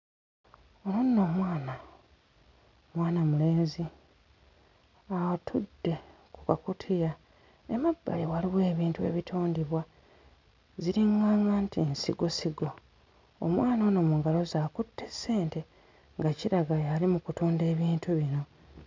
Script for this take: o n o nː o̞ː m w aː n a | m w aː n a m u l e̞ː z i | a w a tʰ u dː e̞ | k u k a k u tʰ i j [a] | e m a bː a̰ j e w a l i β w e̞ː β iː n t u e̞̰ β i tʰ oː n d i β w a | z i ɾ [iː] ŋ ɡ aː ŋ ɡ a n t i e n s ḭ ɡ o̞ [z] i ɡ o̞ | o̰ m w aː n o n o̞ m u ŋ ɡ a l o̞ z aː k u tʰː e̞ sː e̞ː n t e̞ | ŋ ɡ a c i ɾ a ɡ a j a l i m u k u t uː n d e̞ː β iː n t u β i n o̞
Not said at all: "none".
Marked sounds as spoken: a, i, s

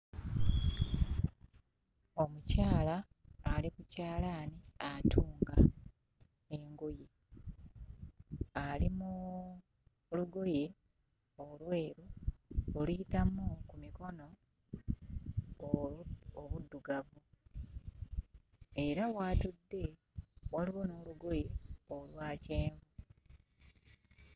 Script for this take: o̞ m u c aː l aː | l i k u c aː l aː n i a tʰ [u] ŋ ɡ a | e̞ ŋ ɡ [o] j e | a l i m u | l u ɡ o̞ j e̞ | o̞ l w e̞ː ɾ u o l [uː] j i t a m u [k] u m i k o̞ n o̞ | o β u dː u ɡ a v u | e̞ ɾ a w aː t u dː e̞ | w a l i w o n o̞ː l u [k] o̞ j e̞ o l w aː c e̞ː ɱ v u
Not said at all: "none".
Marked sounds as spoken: uː, o, u, k, ɡ

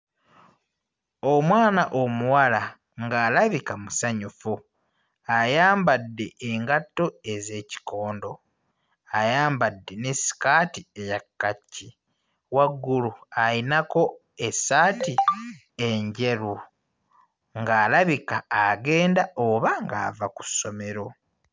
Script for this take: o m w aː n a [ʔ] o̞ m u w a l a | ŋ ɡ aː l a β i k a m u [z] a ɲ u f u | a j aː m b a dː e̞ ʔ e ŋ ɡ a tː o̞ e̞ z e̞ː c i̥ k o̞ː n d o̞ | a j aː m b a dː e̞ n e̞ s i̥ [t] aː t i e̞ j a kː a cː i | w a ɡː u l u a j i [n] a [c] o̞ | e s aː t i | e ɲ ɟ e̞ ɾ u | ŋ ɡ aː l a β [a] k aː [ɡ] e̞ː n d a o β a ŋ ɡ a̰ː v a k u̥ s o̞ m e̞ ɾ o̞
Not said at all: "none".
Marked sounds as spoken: ʔ, s, k, n, k, i, ɡ

